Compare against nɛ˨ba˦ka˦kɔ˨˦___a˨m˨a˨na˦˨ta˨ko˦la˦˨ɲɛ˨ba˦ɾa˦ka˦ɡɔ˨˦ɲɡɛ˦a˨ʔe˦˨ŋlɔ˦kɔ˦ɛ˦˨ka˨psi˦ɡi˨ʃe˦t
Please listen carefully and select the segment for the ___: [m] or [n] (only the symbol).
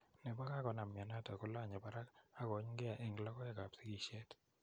n